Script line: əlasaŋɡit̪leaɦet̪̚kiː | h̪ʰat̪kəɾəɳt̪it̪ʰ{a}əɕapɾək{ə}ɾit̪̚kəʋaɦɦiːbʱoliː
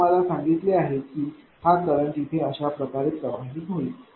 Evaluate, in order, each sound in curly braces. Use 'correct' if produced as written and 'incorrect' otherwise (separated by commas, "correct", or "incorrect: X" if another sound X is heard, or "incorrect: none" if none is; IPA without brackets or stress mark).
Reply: incorrect: e, incorrect: a